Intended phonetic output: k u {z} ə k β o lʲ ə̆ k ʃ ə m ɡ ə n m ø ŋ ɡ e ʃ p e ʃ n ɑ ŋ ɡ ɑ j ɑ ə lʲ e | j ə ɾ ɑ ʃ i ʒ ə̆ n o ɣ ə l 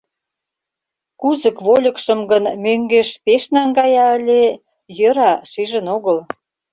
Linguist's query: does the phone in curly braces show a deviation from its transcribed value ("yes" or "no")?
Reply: no